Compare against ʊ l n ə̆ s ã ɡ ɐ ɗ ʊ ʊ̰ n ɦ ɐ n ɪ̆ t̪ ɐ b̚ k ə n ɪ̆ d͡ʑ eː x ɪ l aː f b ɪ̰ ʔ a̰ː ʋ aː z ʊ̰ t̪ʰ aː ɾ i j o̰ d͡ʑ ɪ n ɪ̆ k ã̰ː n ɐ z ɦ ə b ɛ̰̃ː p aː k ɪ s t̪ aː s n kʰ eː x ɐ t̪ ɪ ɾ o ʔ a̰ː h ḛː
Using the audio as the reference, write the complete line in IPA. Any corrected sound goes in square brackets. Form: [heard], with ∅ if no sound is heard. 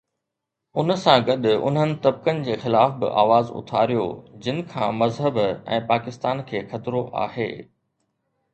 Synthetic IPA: ʊ [∅] n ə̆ s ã ɡ ɐ ɗ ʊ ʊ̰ n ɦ [ə] n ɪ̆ t̪ ɐ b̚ k ə n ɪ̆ d͡ʑ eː x ɪ l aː f b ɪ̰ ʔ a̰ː ʋ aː z ʊ̰ t̪ʰ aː ɾ i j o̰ d͡ʑ ɪ n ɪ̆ [kʰ] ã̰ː [m] ɐ z ɦ ə b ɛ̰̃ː p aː k ɪ s t̪ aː [∅] n kʰ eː x ɐ t̪ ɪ ɾ o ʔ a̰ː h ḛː

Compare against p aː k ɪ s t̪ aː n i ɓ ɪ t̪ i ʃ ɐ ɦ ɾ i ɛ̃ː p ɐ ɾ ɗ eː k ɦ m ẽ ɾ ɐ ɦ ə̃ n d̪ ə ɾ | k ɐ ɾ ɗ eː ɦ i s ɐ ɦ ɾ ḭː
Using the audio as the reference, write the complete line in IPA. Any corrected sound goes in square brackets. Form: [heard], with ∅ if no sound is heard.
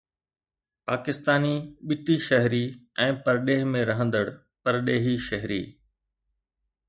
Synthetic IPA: p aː k ɪ s t̪ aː n i ɓ ɪ t̪ i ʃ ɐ ɦ ɾ i ɛ̃ː p ɐ ɾ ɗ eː [∅] ɦ m ẽ ɾ ɐ ɦ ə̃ n d̪ ə [ɽ] | [p] ɐ ɾ ɗ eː ɦ i [ʃ] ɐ ɦ ɾ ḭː

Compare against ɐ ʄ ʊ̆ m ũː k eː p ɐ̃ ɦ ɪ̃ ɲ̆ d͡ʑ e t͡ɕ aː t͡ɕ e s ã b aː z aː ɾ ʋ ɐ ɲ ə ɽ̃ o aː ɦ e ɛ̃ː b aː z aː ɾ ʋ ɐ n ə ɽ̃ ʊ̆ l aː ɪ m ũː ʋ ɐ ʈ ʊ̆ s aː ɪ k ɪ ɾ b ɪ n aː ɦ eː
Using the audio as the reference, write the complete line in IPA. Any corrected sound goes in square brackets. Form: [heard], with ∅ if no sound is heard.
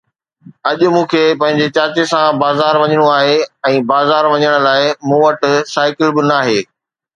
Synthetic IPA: ɐ ʄ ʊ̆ m ũː [kʰ] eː p ɐ̃ ɦ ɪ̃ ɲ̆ d͡ʑ e t͡ɕ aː t͡ɕ e s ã b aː z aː ɾ ʋ ɐ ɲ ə ɽ̃ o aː ɦ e ɛ̃ː b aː z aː ɾ ʋ ɐ [ɲ] ə ɽ̃ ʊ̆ l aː ɪ m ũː ʋ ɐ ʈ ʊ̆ s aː ɪ k ɪ [l] b ɪ n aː ɦ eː

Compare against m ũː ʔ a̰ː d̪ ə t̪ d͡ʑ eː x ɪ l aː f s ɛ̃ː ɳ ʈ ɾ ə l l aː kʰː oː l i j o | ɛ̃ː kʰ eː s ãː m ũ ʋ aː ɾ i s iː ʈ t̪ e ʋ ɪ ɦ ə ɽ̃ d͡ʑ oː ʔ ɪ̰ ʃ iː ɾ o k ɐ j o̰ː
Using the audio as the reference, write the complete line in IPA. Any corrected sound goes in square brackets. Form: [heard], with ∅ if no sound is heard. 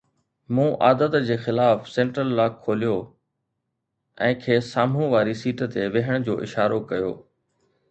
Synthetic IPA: m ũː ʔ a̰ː d̪ ə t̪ d͡ʑ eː x ɪ l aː f s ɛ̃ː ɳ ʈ ɾ ə l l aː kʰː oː l i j o | ɛ̃ː kʰ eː s [aː] m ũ ʋ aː ɾ i s iː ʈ t̪ e ʋ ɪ ɦ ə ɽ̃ d͡ʑ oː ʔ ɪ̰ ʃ [aː] ɾ o k ɐ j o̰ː

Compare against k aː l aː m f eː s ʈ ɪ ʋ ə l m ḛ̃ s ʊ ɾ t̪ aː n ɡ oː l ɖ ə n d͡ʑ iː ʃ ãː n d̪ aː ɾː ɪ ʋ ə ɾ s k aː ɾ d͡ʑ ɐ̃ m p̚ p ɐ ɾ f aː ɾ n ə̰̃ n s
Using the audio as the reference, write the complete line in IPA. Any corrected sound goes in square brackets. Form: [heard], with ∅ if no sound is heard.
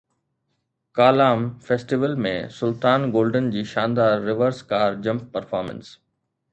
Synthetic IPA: k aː l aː m f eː s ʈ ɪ ʋ ə l m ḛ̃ s ʊ [l] t̪ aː n ɡ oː l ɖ ə n d͡ʑ iː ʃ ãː n d̪ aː ɾː ɪ ʋ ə ɾ s k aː ɾ d͡ʑ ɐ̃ m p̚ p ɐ ɾ f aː ɾ [m] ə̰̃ n s

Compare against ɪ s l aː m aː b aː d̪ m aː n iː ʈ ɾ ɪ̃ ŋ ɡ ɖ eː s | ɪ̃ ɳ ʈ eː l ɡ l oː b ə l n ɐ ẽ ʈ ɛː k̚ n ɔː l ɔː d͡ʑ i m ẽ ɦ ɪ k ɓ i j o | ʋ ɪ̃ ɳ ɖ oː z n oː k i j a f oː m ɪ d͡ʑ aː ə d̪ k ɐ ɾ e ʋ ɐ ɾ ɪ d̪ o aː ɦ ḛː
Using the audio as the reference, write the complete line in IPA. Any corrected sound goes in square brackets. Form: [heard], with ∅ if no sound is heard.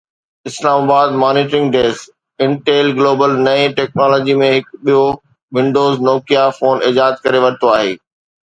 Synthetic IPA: ɪ s l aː m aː b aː d̪ m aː n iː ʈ ɾ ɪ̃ ŋ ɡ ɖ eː s | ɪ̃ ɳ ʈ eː l ɡ l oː b ə l n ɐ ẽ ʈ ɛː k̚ n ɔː l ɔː d͡ʑ i m ẽ ɦ ɪ k ɓ i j o | ʋ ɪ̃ ɳ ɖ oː z n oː k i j a f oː [n] ɪ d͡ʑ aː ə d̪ k ɐ ɾ e ʋ ɐ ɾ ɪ [t̪] o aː ɦ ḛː

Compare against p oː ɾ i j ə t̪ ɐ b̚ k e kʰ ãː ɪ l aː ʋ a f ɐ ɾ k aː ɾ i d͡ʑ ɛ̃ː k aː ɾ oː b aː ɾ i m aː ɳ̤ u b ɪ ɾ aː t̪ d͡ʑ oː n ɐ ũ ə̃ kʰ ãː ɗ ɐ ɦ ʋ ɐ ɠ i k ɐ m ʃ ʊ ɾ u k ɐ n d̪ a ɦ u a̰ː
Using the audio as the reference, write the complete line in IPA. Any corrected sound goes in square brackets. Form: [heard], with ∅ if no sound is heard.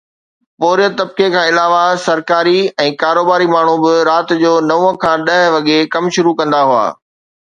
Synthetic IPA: p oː ɾ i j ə t̪ ɐ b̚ k e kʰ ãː ɪ l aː ʋ a [s] ɐ ɾ k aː ɾ i [∅] ɛ̃ː k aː ɾ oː b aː ɾ i m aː ɳ̤ u b ɪ ɾ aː t̪ d͡ʑ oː n ɐ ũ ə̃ kʰ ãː ɗ ɐ ɦ ʋ ɐ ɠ [e] k ɐ m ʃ ʊ ɾ u k [ɐ̃] n d̪ a ɦ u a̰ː

